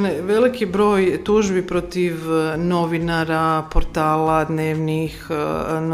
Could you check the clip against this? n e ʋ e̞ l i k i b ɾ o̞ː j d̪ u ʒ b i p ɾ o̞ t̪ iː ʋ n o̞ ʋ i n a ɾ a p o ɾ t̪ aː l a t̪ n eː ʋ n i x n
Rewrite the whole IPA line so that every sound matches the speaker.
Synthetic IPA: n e ʋ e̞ l i k i b ɾ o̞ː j t̪ u ʒ b i p ɾ o̞ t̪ i ʋ n o̞ ʋ i n a ɾ a p o ɾ t̪ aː l a d̪ n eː ʋ n i x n